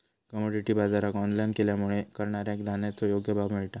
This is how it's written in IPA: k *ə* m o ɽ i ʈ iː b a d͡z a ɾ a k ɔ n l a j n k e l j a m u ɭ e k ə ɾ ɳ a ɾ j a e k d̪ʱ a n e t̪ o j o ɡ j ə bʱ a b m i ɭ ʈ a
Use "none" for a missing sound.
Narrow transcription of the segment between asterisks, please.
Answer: ə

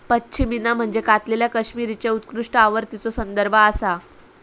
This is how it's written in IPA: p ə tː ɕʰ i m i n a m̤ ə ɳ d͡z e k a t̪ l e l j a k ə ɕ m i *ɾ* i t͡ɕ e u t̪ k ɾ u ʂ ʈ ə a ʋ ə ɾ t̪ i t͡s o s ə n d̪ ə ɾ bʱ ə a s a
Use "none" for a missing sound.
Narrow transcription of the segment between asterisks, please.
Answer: ɾ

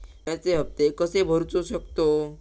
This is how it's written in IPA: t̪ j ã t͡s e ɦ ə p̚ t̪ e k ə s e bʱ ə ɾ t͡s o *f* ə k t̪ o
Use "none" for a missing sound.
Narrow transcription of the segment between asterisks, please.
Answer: ɕ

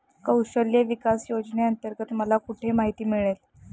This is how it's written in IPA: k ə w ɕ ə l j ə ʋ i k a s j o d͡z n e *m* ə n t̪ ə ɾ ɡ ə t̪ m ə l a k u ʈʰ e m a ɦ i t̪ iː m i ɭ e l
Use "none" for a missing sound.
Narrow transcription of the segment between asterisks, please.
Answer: none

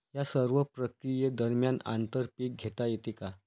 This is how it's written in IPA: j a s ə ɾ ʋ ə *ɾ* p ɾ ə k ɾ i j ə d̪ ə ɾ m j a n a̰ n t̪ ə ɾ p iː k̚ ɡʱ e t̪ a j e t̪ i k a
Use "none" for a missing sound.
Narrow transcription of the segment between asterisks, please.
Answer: none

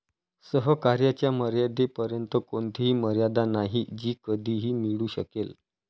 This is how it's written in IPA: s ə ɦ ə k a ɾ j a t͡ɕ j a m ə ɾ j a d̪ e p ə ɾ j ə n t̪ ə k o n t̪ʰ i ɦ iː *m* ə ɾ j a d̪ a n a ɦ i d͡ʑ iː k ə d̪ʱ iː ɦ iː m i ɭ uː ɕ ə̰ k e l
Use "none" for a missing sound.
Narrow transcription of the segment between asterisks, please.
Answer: m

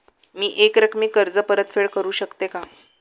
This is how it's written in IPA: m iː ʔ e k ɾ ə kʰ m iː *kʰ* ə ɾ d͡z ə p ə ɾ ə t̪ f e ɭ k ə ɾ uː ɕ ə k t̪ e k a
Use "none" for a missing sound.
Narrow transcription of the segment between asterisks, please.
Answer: k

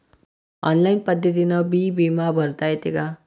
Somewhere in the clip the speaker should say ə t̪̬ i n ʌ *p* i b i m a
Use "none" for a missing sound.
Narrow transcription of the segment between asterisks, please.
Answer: b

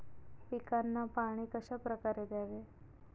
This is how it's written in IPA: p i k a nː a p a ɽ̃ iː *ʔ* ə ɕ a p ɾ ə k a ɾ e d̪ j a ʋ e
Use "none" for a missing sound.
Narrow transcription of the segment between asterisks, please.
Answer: k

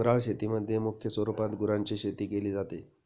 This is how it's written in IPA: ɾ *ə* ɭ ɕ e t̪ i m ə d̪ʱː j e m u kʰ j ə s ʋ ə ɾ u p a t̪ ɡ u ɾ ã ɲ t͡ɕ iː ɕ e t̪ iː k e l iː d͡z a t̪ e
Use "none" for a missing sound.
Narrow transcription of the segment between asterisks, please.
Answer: a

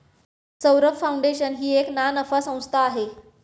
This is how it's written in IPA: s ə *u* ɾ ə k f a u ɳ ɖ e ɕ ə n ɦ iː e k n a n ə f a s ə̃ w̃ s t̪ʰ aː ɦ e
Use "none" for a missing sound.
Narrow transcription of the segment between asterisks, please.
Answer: w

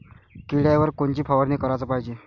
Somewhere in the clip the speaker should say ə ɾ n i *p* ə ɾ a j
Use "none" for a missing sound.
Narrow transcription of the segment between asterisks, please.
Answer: k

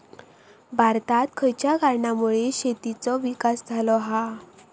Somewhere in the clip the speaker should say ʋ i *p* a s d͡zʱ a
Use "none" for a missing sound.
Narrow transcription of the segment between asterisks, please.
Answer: k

